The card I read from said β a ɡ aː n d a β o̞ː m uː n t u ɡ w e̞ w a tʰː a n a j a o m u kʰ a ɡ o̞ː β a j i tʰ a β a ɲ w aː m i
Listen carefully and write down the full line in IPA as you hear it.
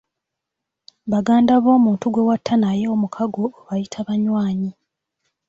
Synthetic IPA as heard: β a ɡ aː n d a β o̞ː m uː n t u ɡ w e̞ w a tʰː a n a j e o m u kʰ a ɡ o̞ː β a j i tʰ a β a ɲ w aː ɲ i